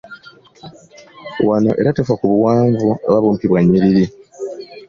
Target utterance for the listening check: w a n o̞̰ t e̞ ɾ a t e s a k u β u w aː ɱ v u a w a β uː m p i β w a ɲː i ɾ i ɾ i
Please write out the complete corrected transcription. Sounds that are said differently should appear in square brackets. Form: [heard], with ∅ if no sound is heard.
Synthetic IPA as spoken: w a n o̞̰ [ʔ] e̞ ɾ a t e [f] a k u β u w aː ɱ v u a [β] a β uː m p i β w a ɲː i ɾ i ɾ i